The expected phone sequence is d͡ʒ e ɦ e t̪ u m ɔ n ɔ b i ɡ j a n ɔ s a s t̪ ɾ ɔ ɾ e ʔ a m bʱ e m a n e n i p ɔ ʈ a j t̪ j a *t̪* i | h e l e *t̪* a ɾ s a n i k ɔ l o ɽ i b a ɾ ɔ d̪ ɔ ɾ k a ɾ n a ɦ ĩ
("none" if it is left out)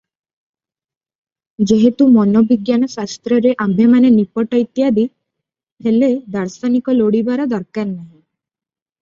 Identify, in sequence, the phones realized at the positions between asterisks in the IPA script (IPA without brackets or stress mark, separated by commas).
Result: d̪, d̪